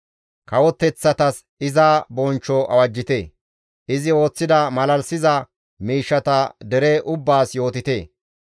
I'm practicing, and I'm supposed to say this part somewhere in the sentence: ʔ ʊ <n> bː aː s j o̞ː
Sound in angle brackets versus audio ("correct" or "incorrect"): incorrect